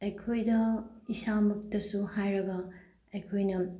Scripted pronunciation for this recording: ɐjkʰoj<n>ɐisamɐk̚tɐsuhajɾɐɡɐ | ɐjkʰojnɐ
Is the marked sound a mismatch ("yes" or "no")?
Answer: yes